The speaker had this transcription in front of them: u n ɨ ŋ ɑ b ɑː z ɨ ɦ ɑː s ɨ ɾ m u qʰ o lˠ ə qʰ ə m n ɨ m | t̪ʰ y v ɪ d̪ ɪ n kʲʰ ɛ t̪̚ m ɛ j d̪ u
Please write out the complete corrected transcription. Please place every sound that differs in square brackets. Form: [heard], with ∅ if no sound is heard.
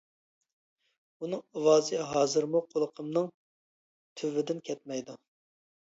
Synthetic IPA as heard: u n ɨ ŋ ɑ [w] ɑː z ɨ ɦ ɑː [z] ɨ ɾ m u qʰ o lˠ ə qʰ ə m n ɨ [ŋ] | t̪ʰ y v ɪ d̪ ɪ n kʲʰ ɛ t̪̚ m ɛ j d̪ u